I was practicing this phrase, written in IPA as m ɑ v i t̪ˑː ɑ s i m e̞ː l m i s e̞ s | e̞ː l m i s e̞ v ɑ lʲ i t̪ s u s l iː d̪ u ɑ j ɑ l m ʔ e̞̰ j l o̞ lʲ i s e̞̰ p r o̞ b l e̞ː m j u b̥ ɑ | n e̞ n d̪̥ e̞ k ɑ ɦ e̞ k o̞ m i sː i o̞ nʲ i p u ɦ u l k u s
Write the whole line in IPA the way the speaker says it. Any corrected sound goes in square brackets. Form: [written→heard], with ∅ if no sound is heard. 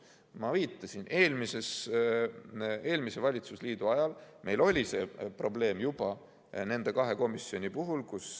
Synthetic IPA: m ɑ v [i→iː] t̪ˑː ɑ s i [m→n] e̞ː l m i s e̞ s | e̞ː l m i s e̞ v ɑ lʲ i t̪ s u s l iː d̪ u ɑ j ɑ l m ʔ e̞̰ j l o̞ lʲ i s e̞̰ p r o̞ b l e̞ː m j u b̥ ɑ | n e̞ n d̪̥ e̞ k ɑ ɦ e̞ k o̞ m i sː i o̞ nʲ i p u ɦ u l k u s